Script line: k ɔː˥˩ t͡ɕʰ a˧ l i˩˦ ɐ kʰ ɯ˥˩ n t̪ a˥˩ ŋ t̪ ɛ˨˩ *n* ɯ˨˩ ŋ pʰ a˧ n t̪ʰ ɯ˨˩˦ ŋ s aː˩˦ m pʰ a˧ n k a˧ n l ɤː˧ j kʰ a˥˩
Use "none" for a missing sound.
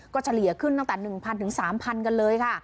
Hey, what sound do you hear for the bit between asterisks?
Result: n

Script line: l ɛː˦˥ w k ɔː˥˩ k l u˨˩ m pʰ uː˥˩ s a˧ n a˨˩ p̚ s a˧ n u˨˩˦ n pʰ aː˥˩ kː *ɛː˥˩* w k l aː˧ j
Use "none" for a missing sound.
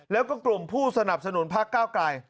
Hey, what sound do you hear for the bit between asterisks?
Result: aː˥˩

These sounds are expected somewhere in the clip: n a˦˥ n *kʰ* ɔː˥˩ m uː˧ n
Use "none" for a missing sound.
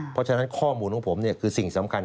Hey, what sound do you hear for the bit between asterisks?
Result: kʰ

